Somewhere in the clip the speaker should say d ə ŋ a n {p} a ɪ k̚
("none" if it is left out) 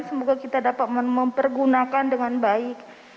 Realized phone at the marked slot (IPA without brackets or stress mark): b